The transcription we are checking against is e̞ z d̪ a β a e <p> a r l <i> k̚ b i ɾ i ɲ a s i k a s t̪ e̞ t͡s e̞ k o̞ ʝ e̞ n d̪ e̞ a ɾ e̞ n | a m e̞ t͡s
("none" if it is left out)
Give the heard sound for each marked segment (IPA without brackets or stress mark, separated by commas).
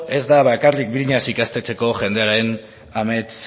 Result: k, i